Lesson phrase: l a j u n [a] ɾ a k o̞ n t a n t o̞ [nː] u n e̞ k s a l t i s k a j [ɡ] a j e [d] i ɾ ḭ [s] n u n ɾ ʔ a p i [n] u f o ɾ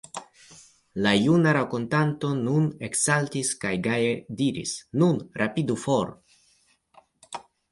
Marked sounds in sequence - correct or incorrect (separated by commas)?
correct, incorrect, correct, correct, correct, incorrect